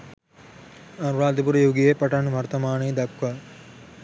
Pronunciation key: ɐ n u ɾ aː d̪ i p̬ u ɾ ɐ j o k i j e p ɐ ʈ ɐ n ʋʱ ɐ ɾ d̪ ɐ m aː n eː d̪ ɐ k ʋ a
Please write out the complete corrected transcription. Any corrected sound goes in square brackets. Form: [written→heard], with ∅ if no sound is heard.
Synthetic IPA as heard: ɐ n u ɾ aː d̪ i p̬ u ɾ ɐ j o [k→ɡ] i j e p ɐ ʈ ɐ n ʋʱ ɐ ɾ [d̪→t̪] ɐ m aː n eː d̪ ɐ k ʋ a